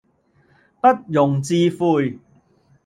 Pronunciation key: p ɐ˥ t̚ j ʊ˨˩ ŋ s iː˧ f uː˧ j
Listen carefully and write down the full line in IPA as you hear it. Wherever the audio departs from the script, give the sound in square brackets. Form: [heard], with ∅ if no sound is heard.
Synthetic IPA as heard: p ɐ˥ t̚ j ʊ˨˩ ŋ [t͡s] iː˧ f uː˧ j